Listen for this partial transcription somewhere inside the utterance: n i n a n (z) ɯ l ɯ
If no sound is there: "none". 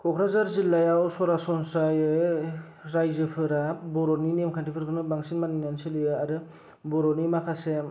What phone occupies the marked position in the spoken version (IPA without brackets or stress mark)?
s